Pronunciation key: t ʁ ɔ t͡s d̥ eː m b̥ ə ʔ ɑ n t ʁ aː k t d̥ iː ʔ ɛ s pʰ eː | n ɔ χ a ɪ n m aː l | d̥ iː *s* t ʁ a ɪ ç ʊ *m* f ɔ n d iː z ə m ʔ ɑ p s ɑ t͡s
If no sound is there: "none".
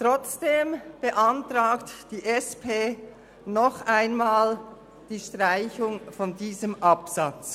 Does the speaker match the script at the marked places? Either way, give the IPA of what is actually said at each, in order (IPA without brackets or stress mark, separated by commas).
ʃ, ŋ